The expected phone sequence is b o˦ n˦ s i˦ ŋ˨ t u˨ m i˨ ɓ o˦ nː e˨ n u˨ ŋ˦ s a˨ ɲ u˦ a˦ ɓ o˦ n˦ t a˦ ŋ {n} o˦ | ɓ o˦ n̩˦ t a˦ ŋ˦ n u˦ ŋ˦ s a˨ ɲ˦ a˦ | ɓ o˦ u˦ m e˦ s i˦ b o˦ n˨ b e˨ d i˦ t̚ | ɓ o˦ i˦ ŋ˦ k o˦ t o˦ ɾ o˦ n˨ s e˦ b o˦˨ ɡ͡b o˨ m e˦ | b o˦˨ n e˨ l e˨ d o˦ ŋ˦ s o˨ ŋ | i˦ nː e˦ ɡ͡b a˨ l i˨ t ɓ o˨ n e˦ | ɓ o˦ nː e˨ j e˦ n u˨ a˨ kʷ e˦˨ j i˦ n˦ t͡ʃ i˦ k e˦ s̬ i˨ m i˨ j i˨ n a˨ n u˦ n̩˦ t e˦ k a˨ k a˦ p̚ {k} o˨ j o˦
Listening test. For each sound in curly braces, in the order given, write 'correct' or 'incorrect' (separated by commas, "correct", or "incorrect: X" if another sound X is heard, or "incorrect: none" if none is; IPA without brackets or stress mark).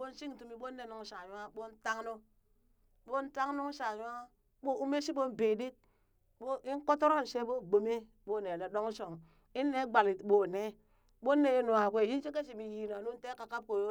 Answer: correct, correct